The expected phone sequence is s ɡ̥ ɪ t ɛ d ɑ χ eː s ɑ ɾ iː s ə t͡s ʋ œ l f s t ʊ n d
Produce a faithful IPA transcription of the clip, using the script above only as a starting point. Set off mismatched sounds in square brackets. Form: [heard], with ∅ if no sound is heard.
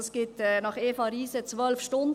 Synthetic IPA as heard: s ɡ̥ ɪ t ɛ [n] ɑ χ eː [f] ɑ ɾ iː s ə t͡s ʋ œ l f [ʃ] t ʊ n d